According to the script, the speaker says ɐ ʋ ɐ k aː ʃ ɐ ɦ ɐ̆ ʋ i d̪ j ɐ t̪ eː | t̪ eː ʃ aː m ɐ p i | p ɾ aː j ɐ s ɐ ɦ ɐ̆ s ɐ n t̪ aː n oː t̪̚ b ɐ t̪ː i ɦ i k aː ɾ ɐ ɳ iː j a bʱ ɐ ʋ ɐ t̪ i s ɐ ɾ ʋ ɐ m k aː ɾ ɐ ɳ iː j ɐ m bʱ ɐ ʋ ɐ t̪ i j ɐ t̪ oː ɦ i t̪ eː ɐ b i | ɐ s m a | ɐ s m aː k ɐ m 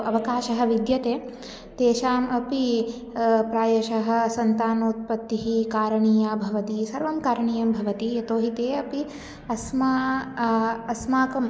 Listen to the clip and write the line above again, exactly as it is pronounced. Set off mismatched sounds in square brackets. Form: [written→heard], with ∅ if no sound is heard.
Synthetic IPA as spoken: ɐ ʋ ɐ k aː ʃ ɐ ɦ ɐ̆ ʋ i d̪ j ɐ t̪ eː | t̪ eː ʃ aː m ɐ p i | p ɾ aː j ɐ [s→ʃ] ɐ ɦ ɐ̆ s ɐ n t̪ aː n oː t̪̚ [b→p] ɐ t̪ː i ɦ i k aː ɾ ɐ ɳ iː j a bʱ ɐ ʋ ɐ t̪ i s ɐ ɾ ʋ ɐ m k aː ɾ ɐ ɳ iː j ɐ m bʱ ɐ ʋ ɐ t̪ i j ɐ t̪ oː ɦ i t̪ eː ɐ [b→p] i | ɐ s m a | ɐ s m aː k ɐ m